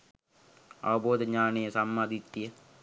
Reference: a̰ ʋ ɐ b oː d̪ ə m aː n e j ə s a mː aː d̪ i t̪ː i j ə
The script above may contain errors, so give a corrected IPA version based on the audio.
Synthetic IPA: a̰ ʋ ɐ b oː d̪ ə ɲ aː n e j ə s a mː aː d̪ i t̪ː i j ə